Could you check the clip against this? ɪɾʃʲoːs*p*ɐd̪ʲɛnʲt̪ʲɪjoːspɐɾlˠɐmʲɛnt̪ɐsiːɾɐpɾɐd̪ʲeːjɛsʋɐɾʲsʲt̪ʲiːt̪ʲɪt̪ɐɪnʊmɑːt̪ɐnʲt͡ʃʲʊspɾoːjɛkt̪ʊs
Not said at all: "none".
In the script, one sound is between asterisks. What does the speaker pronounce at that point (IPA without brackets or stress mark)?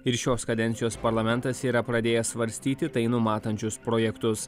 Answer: k